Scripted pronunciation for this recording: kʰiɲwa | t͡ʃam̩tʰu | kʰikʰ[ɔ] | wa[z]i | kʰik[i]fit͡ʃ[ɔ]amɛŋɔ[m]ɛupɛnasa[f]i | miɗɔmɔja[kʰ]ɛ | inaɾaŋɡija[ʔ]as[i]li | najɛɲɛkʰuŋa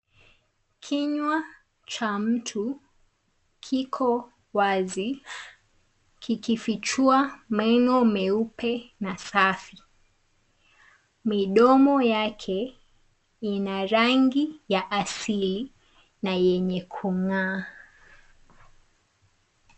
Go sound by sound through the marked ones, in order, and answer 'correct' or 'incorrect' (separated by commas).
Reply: correct, correct, correct, incorrect, correct, correct, correct, correct, correct